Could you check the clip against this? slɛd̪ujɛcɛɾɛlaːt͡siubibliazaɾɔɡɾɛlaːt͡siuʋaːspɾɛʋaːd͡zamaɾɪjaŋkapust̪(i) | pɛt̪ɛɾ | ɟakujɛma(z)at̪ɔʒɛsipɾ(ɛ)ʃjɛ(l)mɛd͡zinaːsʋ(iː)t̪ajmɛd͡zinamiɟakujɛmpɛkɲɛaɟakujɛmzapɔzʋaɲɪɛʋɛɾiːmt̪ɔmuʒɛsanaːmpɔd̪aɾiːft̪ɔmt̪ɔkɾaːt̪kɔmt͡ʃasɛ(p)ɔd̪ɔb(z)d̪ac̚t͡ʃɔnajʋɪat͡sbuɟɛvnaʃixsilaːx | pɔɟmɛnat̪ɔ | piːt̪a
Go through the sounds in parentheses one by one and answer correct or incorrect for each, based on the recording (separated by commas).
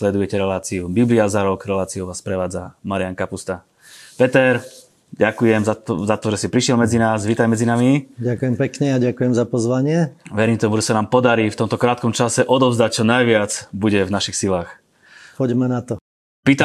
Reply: incorrect, correct, incorrect, correct, correct, incorrect, correct